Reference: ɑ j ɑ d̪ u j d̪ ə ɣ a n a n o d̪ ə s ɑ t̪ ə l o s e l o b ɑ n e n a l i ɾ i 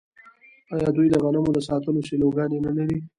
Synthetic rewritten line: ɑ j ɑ d̪ u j d̪ ə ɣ a n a m o d̪ ə s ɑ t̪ ə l o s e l o ɡ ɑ n e n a l a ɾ i